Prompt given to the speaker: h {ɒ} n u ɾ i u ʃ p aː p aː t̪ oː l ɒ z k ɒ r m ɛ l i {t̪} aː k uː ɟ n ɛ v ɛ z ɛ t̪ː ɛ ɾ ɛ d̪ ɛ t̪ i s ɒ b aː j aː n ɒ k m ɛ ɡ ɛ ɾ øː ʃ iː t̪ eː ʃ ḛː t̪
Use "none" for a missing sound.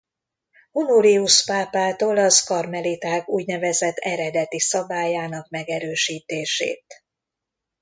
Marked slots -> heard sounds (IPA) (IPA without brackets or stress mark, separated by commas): u, t̪